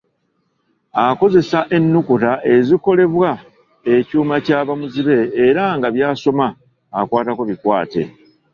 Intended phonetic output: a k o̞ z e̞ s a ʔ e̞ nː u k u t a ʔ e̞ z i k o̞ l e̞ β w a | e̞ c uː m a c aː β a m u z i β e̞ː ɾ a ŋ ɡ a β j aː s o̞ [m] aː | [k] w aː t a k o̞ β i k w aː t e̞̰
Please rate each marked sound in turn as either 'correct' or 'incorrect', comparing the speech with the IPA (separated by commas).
correct, correct